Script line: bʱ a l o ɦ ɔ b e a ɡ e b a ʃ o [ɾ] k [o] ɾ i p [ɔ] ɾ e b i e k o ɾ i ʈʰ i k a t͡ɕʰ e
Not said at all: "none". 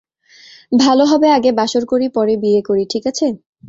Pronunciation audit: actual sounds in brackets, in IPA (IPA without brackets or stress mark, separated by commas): ɾ, o, ɔ